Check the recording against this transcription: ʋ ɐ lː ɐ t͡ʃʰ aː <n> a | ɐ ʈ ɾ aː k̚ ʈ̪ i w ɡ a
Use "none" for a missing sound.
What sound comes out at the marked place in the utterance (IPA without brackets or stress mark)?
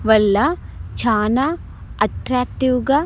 n